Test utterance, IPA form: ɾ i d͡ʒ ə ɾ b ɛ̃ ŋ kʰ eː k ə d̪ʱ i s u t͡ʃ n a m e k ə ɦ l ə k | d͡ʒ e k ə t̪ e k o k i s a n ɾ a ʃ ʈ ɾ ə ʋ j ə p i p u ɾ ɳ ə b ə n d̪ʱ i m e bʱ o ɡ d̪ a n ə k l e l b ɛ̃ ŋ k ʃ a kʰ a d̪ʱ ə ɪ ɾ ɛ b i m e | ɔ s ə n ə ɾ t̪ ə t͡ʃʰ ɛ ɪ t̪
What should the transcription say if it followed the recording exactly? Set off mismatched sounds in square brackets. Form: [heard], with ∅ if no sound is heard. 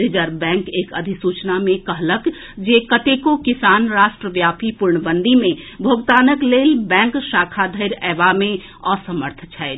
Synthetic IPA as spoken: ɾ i d͡ʒ ə ɾ b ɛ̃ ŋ [k] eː k ə d̪ʱ i s u t͡ʃ n a m e k ə ɦ l ə k | d͡ʒ e k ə t̪ e k o k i s a n ɾ a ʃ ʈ ɾ ə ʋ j [a] p i p u ɾ ɳ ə b ə n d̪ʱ i m e bʱ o ɡ [t̪] a n ə k l e l b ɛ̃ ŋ k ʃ a kʰ a d̪ʱ ə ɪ ɾ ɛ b [a] m e | ɔ s ə [m] ə ɾ [t̪ʰ] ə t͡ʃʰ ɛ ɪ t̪